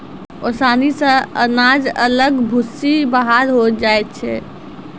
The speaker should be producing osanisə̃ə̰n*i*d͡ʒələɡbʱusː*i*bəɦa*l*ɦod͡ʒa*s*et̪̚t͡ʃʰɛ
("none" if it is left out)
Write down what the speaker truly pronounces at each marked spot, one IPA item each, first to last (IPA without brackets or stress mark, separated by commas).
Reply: a, i, ɾ, none